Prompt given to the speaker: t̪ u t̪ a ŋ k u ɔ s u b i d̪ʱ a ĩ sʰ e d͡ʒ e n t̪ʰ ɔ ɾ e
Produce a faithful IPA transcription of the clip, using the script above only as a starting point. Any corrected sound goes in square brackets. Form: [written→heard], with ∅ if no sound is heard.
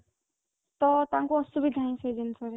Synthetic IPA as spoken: t̪ [u→ɔ] t̪ a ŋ k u ɔ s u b i d̪ʱ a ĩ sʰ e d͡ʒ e n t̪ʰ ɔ ɾ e